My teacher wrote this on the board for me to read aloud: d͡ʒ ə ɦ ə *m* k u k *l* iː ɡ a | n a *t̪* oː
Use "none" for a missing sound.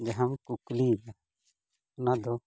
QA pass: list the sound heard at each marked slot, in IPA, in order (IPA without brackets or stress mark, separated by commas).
m, l, d̪